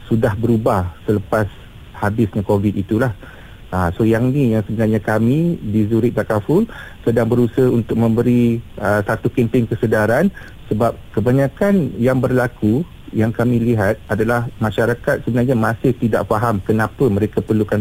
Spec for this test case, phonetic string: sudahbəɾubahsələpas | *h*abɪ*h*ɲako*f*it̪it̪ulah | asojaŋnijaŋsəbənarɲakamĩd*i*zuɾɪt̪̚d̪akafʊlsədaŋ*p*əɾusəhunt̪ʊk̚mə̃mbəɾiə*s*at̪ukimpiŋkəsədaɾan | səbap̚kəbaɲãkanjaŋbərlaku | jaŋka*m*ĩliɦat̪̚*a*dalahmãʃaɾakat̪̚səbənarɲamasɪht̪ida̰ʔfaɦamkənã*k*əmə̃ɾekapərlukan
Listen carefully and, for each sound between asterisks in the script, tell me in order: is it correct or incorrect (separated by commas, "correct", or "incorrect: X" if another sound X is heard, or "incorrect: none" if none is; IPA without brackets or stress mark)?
correct, incorrect: s, incorrect: v, correct, incorrect: b, correct, correct, correct, incorrect: p